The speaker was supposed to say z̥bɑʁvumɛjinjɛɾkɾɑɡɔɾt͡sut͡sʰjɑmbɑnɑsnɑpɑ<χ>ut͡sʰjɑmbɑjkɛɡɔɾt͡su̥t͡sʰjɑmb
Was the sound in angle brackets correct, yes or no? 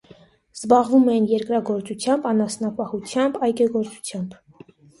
no